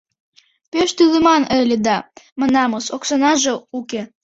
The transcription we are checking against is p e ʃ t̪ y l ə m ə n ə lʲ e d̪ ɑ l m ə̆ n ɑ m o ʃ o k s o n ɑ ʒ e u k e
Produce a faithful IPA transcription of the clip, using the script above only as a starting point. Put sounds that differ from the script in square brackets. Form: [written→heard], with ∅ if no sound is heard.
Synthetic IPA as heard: p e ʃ t̪ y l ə m [ə→ɑ] n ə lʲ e d̪ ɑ [l→∅] m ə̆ n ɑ m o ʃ o k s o n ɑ ʒ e u k e